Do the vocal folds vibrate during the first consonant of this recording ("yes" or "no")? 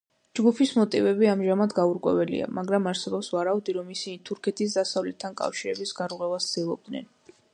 yes